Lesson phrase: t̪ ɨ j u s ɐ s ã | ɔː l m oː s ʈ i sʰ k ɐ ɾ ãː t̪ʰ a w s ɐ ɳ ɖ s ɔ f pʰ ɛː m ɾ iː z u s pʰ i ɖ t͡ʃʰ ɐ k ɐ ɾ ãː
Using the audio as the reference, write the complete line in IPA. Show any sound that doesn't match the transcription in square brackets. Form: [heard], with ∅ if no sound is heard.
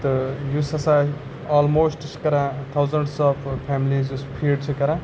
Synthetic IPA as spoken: t̪ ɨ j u s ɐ s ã | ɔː l m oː s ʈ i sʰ k ɐ ɾ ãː t̪ʰ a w [z] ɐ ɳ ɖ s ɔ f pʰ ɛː m [l] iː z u s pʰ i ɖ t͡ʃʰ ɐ k ɐ ɾ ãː